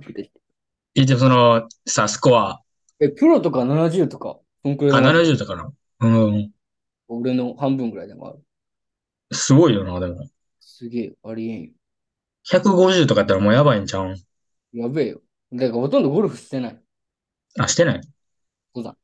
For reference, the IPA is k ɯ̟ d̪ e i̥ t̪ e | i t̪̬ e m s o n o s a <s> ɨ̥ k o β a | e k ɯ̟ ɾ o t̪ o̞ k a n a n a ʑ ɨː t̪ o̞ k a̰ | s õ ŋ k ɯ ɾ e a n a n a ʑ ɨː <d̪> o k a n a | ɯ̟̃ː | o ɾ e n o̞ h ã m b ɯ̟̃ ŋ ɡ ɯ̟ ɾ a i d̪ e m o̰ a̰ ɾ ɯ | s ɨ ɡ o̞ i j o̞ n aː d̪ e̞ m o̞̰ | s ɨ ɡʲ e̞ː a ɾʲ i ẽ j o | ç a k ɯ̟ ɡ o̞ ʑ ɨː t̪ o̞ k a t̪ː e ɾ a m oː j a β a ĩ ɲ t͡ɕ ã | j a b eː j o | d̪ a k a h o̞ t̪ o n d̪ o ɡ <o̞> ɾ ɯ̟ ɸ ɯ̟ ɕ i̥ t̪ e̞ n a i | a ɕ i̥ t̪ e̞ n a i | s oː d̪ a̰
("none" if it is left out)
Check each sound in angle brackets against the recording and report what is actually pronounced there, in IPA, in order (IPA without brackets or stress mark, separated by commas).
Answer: s, t̪, o̞